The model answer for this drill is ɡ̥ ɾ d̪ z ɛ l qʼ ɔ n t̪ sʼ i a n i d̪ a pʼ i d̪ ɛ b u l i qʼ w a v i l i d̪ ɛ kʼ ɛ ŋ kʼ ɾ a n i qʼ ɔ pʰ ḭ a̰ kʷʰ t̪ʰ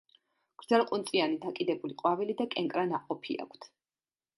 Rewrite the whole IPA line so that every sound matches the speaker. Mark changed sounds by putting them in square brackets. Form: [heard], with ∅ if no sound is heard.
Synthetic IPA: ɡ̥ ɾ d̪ z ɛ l qʼ [u] n t̪ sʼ i a n i d̪ a [kʼ] i d̪ ɛ b u l i qʼ w a v i l i d̪ [a] kʼ ɛ ŋ kʼ ɾ a n [a] qʼ ɔ pʰ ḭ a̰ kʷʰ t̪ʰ